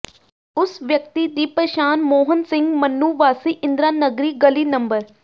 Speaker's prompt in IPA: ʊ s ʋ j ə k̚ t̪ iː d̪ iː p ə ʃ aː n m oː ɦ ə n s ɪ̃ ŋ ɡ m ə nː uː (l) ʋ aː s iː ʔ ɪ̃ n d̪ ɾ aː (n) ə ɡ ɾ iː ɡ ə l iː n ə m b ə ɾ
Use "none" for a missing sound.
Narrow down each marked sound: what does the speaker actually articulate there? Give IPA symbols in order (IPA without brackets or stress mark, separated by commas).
none, n